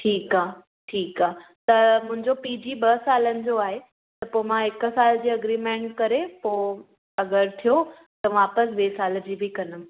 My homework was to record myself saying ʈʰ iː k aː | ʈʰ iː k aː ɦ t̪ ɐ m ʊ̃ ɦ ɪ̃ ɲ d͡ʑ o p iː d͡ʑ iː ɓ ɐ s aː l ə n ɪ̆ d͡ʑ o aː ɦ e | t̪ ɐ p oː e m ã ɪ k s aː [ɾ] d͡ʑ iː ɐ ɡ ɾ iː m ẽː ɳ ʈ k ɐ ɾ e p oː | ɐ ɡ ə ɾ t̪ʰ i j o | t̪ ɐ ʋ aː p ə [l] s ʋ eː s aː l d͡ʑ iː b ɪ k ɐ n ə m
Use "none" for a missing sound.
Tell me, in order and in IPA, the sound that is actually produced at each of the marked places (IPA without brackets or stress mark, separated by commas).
l, none